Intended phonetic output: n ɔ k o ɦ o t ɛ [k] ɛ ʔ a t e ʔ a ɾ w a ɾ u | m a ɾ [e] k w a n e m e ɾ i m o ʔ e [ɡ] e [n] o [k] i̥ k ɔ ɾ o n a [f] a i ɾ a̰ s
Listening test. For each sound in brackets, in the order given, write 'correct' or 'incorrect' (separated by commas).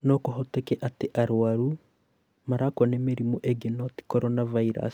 correct, incorrect, correct, correct, incorrect, incorrect